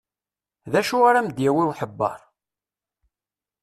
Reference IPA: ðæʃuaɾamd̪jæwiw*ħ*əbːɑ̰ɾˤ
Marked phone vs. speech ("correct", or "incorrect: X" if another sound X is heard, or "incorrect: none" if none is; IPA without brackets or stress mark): correct